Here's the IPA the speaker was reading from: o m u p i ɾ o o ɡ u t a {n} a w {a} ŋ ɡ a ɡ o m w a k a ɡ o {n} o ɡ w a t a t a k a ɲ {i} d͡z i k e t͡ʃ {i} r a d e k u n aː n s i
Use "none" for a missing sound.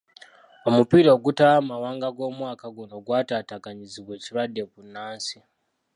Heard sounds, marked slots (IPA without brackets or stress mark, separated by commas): m, a, n, i, i